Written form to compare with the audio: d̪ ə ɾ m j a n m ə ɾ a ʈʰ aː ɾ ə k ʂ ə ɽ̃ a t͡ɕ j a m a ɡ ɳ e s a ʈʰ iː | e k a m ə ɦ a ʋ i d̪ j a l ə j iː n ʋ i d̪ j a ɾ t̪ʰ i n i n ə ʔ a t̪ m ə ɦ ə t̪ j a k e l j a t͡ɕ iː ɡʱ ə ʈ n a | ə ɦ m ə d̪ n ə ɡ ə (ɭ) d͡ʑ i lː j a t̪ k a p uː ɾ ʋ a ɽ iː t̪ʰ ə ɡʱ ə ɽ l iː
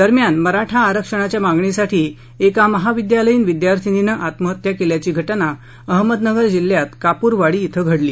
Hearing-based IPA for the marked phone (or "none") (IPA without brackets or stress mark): ɾ